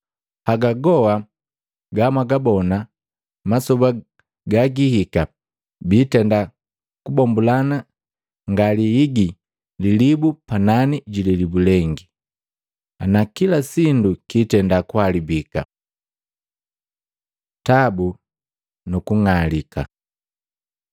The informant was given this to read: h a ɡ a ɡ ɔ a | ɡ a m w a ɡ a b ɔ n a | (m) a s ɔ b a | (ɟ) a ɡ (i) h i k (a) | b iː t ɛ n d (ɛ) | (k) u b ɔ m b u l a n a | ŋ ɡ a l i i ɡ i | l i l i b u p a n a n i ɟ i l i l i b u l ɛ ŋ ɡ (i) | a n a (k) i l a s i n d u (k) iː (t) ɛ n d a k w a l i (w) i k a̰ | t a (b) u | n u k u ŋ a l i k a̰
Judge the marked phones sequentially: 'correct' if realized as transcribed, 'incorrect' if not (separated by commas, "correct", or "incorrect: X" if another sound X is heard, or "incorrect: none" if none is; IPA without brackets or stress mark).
correct, incorrect: ɡ, correct, correct, incorrect: a, correct, correct, correct, correct, correct, incorrect: b, correct